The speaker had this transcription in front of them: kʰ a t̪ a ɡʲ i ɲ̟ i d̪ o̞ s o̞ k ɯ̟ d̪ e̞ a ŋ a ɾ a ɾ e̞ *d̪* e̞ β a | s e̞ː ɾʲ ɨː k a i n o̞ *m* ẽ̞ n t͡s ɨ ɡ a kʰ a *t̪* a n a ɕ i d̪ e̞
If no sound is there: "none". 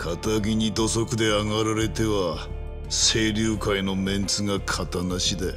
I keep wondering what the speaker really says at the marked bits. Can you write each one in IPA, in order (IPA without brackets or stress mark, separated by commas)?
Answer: t̪, m, t̪